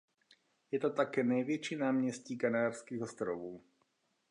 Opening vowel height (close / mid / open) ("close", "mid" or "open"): mid